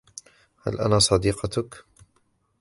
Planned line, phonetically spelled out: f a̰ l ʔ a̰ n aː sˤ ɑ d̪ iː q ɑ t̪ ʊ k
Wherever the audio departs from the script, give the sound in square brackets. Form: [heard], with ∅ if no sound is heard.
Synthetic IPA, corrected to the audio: [h] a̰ l ʔ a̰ n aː sˤ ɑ d̪ iː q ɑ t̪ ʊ k